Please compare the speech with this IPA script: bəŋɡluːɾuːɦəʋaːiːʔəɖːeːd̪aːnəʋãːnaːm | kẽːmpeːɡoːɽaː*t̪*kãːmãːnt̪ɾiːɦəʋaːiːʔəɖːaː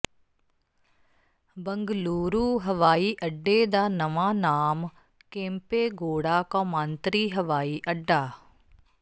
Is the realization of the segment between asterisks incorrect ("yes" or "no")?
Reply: yes